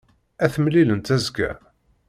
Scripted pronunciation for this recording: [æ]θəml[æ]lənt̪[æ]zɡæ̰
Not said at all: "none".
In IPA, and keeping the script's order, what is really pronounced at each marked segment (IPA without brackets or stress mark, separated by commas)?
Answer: æ, i, æ